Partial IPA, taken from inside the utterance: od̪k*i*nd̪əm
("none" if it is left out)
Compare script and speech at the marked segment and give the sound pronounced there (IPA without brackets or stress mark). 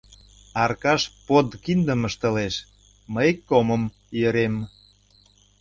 i